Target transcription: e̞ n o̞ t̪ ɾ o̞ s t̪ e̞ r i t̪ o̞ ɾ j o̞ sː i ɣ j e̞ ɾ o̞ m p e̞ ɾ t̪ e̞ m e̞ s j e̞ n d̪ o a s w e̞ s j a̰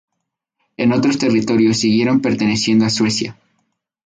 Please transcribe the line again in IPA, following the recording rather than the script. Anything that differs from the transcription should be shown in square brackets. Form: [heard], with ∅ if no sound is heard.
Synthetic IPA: e̞ n o̞ t̪ ɾ o̞ s t̪ e̞ r i t̪ o̞ ɾ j o̞ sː i ɣ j e̞ ɾ o̞ m p e̞ ɾ t̪ e̞ [n] e̞ s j e̞ n d̪ o a s w e̞ s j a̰

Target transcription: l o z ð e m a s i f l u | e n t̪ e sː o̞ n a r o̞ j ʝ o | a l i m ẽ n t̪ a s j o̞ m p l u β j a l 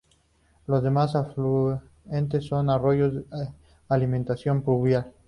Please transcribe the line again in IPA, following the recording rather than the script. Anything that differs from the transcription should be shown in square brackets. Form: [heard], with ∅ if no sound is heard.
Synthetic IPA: l o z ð e m a s [a] f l u | e n t̪ e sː o̞ n a r o̞ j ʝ o | a l i m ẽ n t̪ a s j o̞ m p l u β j a l

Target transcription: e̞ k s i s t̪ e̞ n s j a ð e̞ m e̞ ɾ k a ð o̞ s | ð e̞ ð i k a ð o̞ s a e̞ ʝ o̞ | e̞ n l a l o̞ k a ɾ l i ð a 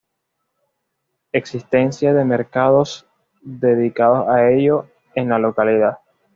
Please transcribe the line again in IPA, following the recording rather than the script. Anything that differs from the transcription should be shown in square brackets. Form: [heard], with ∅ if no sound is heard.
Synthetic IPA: e̞ k s i s t̪ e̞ n s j a ð e̞ m e̞ ɾ k a ð o̞ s | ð e̞ ð i k a ð o̞ s a e̞ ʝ o̞ | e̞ n l a l o̞ k a [∅] l i ð a

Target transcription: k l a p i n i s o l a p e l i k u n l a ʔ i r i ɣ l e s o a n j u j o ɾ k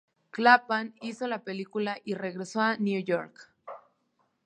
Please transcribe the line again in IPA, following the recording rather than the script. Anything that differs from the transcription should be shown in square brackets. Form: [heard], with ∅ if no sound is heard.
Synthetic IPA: k l a p [a] n i s o l a p e l i k u [∅] l a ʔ i r [e] ɣ [ɾ] e s o a n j u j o ɾ k

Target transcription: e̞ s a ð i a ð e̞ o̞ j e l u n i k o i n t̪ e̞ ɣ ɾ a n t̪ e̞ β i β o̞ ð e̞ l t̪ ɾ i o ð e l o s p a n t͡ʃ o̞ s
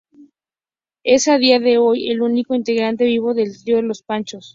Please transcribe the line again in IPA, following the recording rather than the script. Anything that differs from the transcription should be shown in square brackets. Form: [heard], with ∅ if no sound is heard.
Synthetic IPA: e̞ s a ð i a ð e̞ o̞ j e l u n i k o i n t̪ e̞ ɣ ɾ a n t̪ e̞ β i β o̞ ð e̞ l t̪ ɾ i o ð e l o s p a n t͡ʃ o̞ s

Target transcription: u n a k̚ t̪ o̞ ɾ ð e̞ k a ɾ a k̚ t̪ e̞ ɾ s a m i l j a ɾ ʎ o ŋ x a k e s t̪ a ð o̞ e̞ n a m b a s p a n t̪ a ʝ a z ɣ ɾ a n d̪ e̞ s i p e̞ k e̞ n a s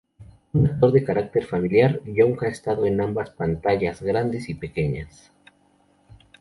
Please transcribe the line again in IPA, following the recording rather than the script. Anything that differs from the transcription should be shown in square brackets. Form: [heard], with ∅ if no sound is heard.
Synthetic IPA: u n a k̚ t̪ o̞ ɾ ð e̞ k a ɾ a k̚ t̪ e̞ ɾ [f] a m i l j a ɾ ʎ o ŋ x a [∅] e s t̪ a ð o̞ e̞ n a m b a s p a n t̪ a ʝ a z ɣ ɾ a n d̪ e̞ s i p e̞ k e̞ [ɲ] a s

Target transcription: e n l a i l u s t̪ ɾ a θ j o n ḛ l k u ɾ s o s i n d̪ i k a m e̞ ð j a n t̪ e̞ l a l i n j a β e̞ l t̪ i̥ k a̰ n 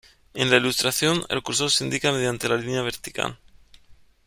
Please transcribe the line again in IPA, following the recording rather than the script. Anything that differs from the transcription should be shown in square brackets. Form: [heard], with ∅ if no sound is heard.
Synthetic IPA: e n l a i l u s t̪ ɾ a θ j o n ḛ l k u ɾ s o s i n d̪ i k a m e̞ ð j a n t̪ e̞ l a l i n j a β e̞ [ɾ] t̪ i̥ k a̰ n

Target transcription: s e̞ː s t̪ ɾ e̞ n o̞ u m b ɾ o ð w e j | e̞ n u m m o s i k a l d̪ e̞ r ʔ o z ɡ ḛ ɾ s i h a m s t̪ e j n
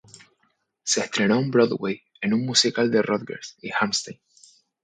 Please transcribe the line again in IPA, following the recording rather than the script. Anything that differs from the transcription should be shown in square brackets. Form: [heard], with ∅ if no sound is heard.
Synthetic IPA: s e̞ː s t̪ ɾ e̞ n o̞ u m b ɾ o ð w e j | e̞ n u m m [u] s i k a l d̪ e̞ r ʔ o [ð] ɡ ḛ ɾ s i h a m s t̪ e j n

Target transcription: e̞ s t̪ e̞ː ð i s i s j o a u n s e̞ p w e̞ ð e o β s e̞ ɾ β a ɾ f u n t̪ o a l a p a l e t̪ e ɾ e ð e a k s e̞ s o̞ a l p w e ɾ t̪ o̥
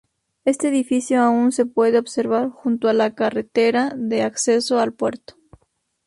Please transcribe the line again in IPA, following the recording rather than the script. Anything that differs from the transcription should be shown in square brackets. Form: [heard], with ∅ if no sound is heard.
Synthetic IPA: e̞ s t̪ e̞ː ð i [f] i s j o a u n s e̞ p w e̞ ð e o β s e̞ ɾ β a ɾ [x] u n t̪ o a l a [k] a [r] e t̪ e ɾ [a] ð e a k s e̞ s o̞ a l p w e ɾ t̪ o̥

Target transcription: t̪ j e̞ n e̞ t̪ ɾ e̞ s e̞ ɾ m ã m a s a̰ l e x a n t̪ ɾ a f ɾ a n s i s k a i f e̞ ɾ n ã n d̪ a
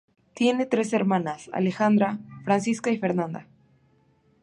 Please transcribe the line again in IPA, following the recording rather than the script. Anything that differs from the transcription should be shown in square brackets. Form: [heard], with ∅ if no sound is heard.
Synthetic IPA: t̪ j e̞ n e̞ t̪ ɾ e̞ s e̞ ɾ m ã [n] a s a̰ l e x a n [d̪] ɾ a f ɾ a n s i s k a i f e̞ ɾ n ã n d̪ a

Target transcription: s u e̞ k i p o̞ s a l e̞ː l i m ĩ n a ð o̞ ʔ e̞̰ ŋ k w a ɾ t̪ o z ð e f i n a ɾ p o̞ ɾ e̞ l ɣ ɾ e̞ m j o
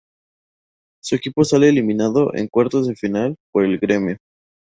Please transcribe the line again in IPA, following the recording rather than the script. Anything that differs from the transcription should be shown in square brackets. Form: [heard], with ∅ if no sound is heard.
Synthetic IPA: s u e̞ k i p o̞ s a l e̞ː l i m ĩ n a ð o̞ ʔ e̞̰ ŋ k w a ɾ t̪ o z ð e f i n a [l] p o̞ ɾ e̞ l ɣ ɾ e̞ m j o

